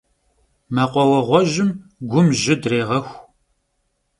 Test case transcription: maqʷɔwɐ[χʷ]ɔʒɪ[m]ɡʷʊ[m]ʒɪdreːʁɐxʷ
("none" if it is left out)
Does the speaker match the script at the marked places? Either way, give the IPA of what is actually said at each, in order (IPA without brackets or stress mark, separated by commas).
ʁʷ, m, m